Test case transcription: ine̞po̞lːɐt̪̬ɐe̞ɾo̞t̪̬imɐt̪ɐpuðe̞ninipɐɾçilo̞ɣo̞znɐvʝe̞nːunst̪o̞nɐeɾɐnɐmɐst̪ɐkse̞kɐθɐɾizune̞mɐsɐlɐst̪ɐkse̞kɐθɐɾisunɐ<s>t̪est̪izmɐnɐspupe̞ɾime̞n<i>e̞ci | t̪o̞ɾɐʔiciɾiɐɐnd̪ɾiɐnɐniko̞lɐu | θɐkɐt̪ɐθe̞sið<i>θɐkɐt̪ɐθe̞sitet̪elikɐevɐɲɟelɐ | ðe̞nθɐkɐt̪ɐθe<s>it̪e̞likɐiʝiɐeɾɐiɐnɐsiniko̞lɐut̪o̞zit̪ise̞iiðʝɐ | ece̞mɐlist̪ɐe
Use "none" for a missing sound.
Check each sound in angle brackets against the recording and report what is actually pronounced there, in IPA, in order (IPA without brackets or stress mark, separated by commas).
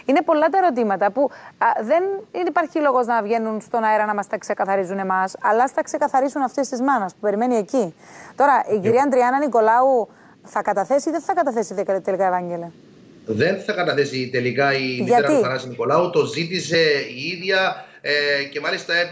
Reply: f, i, e, s